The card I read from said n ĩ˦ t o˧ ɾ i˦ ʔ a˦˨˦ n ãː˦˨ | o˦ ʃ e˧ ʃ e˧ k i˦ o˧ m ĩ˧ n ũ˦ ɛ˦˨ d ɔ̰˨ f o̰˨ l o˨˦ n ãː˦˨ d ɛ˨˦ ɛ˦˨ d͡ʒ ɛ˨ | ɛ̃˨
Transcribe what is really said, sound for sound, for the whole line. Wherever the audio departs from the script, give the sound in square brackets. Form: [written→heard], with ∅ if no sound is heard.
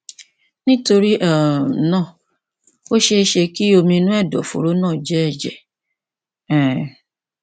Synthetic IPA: n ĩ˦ t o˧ ɾ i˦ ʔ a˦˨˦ n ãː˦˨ | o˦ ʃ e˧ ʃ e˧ k i˦ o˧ m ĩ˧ n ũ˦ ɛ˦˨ d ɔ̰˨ f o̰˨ [l→ɾ] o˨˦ n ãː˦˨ [d→d͡ʒ] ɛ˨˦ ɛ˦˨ d͡ʒ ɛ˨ | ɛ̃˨